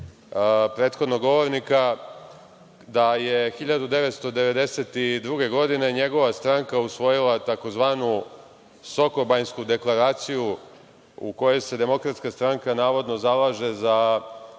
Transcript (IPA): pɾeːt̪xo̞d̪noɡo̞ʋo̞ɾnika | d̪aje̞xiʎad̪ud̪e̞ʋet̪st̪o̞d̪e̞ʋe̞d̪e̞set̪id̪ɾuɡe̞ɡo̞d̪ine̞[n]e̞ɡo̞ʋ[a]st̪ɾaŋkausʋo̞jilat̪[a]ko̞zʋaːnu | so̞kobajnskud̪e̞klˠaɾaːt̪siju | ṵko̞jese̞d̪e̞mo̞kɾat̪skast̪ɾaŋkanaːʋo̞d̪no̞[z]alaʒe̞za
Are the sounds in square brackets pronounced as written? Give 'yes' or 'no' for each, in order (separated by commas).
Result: no, yes, yes, yes